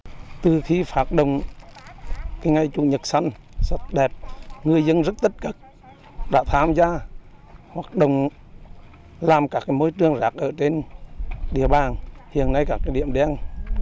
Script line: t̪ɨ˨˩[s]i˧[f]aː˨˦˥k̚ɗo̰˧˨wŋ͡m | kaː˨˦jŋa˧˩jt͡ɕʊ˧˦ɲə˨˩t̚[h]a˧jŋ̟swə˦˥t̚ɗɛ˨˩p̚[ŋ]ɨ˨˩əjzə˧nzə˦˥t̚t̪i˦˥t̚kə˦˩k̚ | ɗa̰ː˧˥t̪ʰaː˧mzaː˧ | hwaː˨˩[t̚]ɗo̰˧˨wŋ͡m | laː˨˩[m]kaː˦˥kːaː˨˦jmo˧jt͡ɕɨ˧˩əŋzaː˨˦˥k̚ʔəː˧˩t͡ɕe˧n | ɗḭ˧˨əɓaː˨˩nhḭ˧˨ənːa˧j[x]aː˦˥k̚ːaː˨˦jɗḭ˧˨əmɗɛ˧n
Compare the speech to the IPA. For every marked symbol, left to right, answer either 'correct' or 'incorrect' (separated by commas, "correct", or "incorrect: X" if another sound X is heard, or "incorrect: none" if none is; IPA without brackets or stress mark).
incorrect: x, correct, incorrect: s, correct, incorrect: k̚, correct, incorrect: k